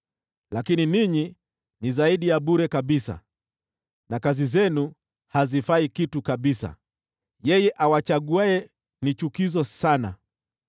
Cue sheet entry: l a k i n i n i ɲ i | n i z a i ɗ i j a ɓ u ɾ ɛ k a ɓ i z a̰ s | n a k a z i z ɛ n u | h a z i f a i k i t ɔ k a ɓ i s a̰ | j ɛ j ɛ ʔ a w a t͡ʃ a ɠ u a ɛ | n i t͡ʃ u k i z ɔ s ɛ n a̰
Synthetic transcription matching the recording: l a k i n i n i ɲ i | n i z a i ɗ i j a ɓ u ɾ ɛ k a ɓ i s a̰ | n a k a z i z ɛ n u | h a z i f a i k i t u k a ɓ i s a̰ | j ɛ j ɛ ʔ a w a t͡ʃ a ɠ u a ɛ | n i t͡ʃ u k i z ɔ s a n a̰